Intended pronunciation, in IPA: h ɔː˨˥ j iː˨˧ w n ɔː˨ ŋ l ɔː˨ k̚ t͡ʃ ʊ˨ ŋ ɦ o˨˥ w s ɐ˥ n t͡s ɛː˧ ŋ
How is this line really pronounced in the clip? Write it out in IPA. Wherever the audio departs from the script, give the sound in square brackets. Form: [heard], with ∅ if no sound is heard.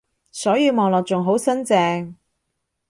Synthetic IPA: [s] ɔː˨˥ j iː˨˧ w [m] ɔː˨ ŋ l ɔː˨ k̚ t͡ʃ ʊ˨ ŋ ɦ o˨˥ w s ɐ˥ n t͡s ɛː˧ ŋ